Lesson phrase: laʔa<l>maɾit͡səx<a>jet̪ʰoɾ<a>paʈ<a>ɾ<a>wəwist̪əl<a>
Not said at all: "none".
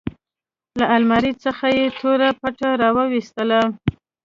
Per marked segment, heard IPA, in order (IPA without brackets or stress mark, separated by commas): l, a, a, a, ɑ, a